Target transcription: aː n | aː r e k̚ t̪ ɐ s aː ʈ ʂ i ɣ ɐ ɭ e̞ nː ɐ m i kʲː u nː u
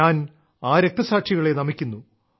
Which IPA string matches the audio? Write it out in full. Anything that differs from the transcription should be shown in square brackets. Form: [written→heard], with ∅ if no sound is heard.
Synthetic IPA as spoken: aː n | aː [r→ɾ] e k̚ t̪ ɐ s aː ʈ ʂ i ɣ ɐ ɭ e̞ [nː→n] ɐ m i kʲː u nː u